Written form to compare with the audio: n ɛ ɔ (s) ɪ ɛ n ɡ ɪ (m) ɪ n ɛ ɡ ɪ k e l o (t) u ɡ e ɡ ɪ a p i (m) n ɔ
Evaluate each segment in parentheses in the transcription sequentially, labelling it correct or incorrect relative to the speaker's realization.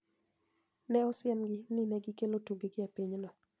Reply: correct, incorrect, correct, incorrect

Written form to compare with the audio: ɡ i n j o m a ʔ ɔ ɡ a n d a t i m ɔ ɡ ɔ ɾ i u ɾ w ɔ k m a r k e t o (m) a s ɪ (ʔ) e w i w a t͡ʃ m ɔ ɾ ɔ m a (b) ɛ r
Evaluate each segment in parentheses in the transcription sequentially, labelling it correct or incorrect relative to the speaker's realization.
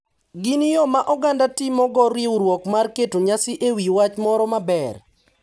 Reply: incorrect, correct, correct

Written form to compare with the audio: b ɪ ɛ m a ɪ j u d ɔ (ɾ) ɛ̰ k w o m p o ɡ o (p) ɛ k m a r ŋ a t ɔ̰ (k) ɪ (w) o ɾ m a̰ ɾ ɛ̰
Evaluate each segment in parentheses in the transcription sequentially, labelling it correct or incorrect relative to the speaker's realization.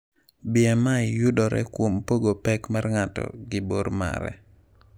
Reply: correct, correct, incorrect, incorrect

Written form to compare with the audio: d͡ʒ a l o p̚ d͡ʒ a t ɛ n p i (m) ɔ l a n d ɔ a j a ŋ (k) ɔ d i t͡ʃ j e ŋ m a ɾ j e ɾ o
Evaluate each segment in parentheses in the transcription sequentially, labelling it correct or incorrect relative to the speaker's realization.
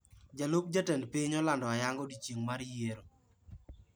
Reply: incorrect, incorrect

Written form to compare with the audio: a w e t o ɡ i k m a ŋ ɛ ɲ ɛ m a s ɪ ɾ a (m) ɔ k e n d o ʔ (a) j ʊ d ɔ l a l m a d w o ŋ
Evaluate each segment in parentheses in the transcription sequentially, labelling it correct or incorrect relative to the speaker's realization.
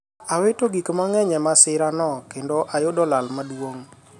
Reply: incorrect, correct

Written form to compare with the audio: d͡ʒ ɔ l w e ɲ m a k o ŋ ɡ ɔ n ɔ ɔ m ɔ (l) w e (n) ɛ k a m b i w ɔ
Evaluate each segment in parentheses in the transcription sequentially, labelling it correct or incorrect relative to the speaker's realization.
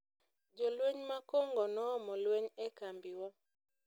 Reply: correct, incorrect

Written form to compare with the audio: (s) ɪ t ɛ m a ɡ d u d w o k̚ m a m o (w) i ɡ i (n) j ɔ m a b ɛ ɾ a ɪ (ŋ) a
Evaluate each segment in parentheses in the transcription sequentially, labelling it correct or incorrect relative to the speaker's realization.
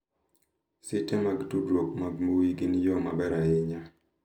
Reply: correct, correct, correct, incorrect

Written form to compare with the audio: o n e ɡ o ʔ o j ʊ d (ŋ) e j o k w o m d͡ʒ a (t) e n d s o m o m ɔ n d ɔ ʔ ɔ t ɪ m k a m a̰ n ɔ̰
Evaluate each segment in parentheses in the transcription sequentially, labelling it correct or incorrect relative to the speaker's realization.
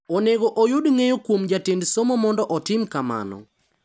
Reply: correct, correct

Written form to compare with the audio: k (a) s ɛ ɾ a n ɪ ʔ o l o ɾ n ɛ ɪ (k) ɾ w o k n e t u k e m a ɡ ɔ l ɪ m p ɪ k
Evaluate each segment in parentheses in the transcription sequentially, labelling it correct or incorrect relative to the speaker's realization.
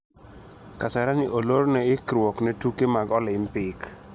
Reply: correct, correct

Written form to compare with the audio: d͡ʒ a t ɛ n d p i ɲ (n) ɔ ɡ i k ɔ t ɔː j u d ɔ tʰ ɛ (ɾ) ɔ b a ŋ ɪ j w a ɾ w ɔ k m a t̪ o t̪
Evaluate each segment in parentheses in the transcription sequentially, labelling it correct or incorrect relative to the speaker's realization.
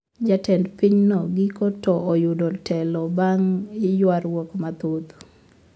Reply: correct, incorrect

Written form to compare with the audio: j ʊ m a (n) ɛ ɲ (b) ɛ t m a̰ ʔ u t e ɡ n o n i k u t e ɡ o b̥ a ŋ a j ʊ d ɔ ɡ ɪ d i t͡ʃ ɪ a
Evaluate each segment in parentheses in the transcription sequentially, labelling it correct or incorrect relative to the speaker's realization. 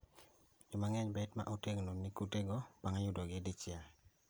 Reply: incorrect, correct

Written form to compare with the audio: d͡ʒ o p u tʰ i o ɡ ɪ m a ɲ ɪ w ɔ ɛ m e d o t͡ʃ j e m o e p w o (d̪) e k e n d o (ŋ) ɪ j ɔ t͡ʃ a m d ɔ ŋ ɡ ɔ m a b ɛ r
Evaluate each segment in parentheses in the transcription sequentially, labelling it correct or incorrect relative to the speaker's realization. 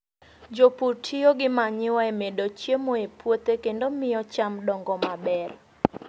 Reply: incorrect, incorrect

